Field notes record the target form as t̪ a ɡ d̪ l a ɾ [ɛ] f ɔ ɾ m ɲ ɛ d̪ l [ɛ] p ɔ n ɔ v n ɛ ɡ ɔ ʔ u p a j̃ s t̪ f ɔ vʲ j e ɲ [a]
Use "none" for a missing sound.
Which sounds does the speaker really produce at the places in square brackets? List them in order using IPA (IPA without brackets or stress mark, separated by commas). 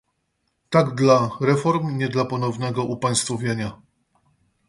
ɛ, a, a